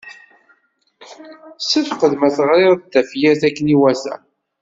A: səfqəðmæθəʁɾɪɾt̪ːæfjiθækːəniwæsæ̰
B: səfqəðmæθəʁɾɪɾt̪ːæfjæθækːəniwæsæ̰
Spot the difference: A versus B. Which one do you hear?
B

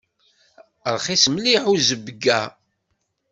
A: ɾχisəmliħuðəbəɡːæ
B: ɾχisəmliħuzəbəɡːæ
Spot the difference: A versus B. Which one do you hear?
B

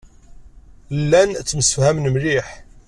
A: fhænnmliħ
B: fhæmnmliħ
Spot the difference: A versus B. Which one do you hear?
B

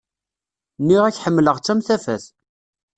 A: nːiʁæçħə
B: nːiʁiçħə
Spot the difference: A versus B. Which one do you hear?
A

